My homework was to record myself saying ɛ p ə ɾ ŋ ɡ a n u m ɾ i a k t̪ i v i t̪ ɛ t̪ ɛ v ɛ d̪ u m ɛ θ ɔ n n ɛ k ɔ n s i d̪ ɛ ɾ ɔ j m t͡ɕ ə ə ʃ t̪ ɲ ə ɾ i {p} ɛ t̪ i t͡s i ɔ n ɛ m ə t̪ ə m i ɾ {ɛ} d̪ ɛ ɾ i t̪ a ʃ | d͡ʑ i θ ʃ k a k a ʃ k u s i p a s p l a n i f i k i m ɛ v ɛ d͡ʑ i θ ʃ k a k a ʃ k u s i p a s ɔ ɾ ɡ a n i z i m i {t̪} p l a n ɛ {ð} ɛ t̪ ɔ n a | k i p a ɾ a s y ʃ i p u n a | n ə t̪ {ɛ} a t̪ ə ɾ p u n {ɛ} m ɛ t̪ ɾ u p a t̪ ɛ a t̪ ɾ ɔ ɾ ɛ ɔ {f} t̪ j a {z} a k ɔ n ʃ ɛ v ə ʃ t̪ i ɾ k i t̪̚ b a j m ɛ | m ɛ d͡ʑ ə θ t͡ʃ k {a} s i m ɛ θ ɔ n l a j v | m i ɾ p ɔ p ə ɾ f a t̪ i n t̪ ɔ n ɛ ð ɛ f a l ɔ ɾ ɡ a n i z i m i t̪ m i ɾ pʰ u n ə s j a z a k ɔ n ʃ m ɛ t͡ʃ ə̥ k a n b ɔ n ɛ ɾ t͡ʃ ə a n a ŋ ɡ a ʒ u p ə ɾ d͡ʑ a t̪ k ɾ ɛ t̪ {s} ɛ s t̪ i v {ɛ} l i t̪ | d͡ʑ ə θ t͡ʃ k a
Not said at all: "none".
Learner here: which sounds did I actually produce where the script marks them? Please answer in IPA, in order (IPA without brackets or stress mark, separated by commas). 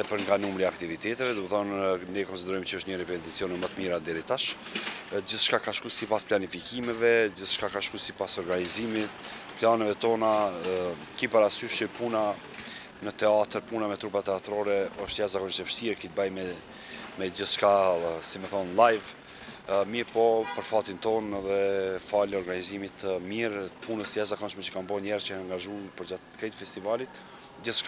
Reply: p, a, t̪, v, ɛ, a, ʃ, z, a, f, a